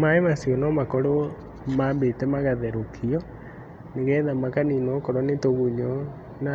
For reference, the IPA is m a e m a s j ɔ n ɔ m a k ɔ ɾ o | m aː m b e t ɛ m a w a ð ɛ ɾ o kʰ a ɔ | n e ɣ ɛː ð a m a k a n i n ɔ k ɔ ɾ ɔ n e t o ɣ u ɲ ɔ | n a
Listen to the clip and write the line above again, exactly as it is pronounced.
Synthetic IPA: m a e m a s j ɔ n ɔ m a k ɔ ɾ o | m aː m b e t ɛ m a ɣ a ð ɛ ɾ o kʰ i ɔ | n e ɣ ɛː ð a m a k a n i n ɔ k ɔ ɾ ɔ n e t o ɣ u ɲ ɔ | n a